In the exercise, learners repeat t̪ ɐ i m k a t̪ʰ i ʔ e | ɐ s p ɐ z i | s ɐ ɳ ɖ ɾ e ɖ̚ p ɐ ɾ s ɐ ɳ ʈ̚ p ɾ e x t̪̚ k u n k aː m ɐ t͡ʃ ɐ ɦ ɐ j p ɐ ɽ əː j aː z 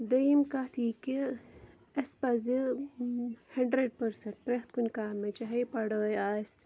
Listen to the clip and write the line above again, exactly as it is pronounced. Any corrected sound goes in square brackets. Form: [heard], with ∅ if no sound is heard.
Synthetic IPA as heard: [d̪] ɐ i m k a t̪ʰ i [k] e | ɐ s p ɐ z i | [h] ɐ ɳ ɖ ɾ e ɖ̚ p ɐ ɾ s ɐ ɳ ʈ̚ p ɾ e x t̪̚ k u n k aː m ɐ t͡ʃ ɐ ɦ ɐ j p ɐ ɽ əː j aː [s]